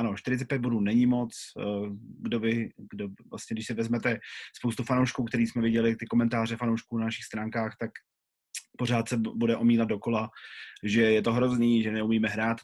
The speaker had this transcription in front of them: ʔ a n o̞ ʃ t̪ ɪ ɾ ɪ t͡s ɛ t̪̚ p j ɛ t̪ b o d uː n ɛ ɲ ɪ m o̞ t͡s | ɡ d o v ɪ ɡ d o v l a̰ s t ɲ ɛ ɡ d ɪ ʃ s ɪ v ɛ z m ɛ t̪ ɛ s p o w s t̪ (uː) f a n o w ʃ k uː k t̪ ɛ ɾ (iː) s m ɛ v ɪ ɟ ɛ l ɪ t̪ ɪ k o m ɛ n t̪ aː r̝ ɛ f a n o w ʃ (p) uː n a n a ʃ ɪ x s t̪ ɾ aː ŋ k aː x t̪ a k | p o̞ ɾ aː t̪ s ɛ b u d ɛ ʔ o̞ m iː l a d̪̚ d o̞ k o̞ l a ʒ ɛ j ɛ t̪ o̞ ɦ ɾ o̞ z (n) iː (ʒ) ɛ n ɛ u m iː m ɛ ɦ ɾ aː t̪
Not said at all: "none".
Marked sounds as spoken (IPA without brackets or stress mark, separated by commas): u, iː, k, n, ʒ